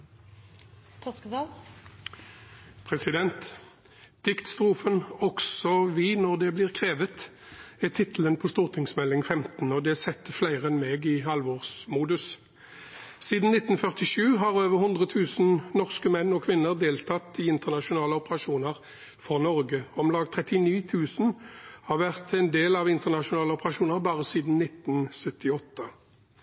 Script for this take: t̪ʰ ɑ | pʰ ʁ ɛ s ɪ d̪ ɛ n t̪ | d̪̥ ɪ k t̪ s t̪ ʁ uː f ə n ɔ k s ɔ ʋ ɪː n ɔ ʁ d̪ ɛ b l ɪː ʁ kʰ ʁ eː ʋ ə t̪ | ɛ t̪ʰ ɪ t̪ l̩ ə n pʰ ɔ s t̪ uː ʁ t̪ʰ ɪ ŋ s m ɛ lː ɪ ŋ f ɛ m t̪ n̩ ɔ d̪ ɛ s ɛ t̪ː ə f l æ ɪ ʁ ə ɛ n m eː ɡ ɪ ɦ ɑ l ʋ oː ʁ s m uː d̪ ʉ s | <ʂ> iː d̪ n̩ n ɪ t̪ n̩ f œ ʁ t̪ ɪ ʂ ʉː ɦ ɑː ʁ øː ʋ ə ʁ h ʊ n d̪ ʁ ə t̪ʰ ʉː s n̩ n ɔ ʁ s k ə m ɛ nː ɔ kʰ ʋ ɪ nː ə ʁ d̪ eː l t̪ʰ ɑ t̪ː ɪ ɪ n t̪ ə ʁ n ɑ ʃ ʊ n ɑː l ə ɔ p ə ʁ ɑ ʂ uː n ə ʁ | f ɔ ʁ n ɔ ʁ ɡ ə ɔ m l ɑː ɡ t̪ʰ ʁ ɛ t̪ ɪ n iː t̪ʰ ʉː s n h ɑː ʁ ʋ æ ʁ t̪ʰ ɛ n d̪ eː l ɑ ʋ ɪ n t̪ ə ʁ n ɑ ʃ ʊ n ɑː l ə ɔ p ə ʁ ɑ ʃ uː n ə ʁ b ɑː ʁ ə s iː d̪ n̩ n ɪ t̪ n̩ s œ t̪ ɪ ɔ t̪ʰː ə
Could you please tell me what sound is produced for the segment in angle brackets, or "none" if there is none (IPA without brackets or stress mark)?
s